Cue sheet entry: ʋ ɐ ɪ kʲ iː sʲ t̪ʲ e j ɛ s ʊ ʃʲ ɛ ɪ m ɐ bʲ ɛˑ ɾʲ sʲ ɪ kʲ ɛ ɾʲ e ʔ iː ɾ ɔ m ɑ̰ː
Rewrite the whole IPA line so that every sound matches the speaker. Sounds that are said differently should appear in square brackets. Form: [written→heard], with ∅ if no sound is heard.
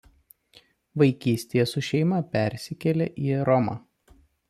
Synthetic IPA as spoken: ʋ ɐ ɪ kʲ iː sʲ t̪ʲ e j ɛ s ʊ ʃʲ ɛ ɪ m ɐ [bʲ→pʲ] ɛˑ ɾʲ sʲ ɪ kʲ ɛ [ɾʲ→lʲ] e ʔ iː ɾ ɔ m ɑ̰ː